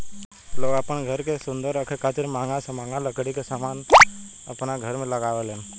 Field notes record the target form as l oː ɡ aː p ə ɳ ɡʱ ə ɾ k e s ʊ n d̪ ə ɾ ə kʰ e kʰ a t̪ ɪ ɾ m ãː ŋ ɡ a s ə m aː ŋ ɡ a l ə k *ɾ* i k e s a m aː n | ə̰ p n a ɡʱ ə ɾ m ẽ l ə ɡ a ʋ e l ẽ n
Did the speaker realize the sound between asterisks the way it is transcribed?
no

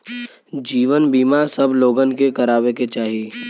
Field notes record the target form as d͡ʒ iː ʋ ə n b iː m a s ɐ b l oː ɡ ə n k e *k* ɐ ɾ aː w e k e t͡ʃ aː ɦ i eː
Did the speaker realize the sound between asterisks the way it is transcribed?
yes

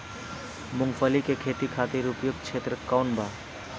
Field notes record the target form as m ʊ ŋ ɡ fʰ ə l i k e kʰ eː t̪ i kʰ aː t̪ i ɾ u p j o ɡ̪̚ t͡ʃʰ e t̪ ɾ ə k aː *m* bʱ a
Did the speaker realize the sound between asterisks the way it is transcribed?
no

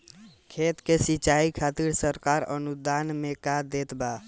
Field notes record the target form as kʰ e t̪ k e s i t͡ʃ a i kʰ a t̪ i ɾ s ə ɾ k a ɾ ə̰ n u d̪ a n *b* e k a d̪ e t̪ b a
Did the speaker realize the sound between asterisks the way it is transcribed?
no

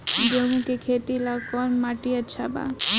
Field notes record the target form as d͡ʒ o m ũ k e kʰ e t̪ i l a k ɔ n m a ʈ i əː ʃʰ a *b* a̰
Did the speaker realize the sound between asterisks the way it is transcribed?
yes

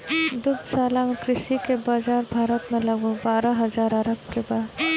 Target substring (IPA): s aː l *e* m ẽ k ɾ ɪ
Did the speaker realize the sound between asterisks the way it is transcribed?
no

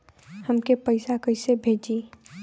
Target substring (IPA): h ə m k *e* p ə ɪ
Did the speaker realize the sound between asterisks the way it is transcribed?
yes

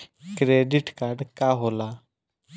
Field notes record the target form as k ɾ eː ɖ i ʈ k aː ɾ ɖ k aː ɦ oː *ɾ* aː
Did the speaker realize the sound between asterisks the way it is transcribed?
no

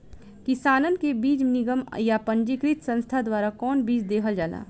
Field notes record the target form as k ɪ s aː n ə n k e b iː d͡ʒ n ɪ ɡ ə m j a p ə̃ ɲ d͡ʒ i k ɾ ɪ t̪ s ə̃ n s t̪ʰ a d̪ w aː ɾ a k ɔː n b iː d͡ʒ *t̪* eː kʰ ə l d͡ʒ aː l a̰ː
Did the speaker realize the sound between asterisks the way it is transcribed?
no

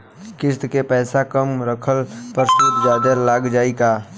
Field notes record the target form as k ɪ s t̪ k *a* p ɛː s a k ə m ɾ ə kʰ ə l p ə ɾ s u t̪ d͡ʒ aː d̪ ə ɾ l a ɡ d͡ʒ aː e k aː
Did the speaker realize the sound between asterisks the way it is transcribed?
no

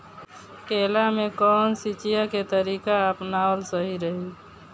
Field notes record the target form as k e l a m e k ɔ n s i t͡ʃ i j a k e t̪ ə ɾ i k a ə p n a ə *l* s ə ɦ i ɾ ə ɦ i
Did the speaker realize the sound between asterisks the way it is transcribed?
yes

